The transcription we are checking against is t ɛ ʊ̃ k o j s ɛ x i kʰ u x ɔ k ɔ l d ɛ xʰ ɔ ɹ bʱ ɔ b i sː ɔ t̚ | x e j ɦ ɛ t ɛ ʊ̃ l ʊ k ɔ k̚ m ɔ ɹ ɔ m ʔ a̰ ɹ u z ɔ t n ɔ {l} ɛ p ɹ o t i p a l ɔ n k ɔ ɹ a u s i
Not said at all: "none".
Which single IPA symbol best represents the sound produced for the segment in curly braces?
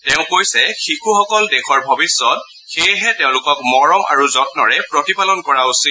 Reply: ɹ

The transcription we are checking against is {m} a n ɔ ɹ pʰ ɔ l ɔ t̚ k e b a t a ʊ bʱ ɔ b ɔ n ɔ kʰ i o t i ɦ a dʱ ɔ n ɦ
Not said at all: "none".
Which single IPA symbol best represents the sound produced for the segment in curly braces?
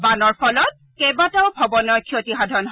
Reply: b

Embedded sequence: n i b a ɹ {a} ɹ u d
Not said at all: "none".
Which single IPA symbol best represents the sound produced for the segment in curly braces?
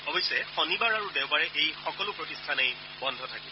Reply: a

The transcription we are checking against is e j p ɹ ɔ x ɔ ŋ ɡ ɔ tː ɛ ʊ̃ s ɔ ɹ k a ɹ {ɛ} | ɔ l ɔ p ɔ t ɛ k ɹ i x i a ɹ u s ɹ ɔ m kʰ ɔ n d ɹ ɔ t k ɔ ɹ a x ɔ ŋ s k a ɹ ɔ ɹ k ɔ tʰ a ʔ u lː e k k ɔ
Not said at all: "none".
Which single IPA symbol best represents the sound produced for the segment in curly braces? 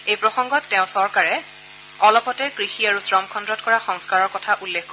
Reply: ɛ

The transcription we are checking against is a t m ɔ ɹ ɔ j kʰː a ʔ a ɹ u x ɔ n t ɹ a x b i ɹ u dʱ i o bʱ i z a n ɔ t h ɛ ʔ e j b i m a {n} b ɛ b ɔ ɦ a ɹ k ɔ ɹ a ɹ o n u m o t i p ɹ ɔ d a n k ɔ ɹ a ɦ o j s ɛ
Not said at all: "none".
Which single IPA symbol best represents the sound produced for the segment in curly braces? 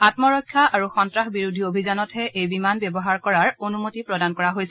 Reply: n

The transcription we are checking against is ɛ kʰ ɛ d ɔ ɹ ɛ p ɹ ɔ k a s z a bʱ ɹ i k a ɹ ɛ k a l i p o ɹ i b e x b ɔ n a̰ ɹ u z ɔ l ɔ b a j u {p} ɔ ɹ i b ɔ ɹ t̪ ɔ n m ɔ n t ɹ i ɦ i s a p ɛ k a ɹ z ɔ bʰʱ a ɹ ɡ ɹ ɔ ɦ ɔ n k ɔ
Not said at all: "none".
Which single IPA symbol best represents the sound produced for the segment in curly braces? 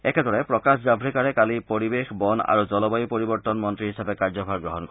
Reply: p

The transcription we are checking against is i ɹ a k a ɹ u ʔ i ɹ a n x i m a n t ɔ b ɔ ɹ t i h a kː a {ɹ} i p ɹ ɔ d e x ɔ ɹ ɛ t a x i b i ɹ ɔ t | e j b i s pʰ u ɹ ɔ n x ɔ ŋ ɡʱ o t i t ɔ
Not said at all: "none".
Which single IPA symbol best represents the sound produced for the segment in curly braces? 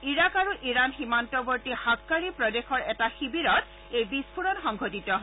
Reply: ɹ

